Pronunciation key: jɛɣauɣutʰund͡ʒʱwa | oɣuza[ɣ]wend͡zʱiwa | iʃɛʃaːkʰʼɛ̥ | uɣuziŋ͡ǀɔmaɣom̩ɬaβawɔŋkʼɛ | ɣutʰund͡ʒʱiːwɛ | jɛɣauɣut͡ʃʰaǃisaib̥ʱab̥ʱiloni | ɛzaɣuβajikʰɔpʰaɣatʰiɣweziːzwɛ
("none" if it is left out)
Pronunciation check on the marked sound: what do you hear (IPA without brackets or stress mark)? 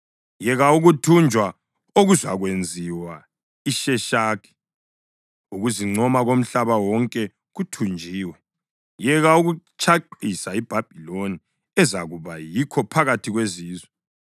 ɣ